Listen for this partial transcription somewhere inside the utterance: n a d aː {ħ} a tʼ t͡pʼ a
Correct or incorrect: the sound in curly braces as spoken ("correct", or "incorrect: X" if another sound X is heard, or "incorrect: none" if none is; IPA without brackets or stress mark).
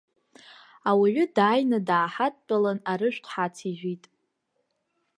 correct